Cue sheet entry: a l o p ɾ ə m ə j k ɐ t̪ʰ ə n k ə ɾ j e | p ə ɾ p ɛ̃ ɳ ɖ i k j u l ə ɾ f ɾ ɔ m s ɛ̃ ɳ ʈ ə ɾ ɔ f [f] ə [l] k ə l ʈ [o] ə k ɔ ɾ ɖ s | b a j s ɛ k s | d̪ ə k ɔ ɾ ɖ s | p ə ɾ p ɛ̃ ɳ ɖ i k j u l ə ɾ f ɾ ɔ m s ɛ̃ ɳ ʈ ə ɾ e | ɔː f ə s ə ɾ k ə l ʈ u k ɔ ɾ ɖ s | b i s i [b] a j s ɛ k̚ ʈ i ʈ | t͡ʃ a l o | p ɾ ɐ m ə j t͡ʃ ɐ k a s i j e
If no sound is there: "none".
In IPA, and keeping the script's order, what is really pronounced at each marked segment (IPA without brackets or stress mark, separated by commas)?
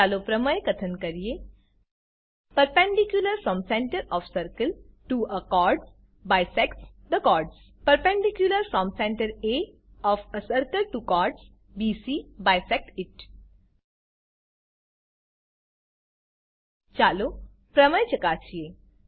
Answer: s, ɾ, u, b